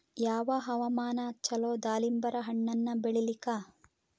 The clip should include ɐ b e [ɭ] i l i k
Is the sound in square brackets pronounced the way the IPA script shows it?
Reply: yes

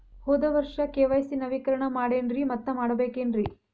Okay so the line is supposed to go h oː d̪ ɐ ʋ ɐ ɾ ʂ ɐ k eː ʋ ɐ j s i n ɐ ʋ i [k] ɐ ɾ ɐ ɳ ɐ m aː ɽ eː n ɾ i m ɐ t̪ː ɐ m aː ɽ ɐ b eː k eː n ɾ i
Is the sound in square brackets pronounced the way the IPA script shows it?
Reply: yes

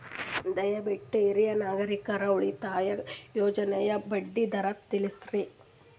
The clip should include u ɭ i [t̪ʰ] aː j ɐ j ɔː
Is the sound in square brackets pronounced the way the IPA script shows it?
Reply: no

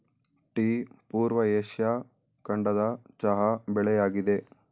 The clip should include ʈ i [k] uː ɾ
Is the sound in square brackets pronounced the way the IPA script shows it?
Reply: no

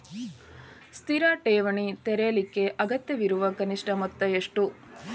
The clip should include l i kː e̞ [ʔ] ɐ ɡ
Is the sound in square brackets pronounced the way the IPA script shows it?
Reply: yes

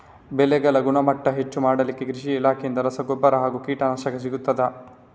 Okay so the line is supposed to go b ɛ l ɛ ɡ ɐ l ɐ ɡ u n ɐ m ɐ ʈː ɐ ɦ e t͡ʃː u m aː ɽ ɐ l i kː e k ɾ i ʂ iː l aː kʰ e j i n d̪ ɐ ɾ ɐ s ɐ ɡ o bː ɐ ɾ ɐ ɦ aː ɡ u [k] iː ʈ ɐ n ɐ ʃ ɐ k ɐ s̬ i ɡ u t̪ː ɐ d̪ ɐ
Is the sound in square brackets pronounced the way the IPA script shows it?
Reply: yes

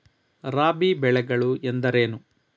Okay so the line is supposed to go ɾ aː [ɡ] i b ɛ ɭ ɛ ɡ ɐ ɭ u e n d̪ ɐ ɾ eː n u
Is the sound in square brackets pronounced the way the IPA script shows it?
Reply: no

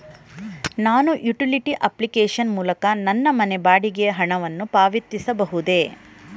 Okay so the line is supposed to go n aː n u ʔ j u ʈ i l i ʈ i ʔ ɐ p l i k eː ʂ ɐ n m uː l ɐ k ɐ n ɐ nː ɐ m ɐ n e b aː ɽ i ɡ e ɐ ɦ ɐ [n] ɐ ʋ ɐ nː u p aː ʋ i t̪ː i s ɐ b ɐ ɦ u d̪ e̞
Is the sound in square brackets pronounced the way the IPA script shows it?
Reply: no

